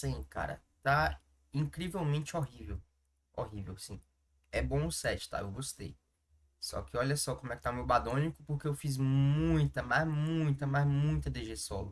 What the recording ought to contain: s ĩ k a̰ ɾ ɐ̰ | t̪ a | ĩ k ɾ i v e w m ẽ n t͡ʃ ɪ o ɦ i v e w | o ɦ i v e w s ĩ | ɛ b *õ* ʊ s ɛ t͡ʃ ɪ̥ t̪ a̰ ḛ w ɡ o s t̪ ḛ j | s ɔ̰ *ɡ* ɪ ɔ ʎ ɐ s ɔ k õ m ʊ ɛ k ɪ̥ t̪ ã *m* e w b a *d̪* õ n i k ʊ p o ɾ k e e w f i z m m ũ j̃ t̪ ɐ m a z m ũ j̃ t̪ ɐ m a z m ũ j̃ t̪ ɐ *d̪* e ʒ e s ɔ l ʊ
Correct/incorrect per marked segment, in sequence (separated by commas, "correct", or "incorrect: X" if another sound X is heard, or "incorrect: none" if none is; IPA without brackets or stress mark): correct, incorrect: k, correct, correct, correct